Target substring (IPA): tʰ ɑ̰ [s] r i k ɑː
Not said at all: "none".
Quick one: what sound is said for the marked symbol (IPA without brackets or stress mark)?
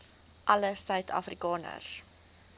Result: f